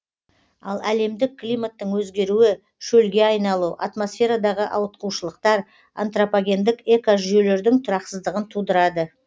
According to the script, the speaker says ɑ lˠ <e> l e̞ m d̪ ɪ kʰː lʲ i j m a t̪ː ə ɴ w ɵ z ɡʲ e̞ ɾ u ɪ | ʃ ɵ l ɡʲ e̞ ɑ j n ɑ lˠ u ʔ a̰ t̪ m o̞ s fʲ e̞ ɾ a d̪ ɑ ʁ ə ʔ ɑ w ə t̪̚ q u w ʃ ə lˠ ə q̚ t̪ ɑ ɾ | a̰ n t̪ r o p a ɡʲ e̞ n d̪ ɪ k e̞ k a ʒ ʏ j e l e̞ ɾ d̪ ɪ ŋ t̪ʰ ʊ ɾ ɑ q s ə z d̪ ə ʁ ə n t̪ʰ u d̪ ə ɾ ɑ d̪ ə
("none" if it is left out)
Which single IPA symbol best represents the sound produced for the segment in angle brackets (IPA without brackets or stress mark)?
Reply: æ